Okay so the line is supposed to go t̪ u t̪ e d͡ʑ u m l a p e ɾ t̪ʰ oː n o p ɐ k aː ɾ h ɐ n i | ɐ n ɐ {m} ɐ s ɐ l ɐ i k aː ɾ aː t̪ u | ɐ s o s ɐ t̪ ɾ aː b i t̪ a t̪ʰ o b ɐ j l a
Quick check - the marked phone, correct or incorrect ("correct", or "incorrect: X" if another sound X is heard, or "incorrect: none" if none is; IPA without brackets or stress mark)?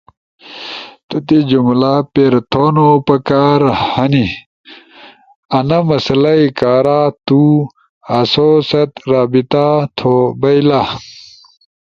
correct